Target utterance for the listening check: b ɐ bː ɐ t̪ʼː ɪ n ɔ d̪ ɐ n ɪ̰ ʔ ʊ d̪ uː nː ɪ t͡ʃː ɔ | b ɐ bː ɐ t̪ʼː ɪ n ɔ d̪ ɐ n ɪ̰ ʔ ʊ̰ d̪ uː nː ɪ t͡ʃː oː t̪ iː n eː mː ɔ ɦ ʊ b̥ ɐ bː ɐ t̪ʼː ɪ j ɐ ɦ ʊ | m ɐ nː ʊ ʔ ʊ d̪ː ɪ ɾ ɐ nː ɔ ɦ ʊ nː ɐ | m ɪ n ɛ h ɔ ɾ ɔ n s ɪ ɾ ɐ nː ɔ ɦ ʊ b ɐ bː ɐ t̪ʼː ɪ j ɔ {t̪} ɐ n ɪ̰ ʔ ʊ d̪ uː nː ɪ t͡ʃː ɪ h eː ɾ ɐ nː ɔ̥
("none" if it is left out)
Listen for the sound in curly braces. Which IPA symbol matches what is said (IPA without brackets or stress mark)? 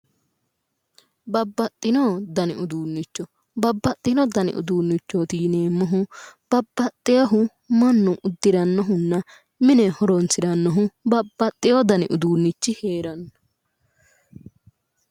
d̪